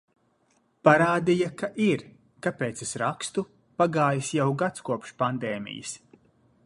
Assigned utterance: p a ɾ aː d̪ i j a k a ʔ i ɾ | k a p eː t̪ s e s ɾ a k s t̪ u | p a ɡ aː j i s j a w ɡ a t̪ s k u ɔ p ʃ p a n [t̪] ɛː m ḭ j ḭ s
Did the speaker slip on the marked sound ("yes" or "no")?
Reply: yes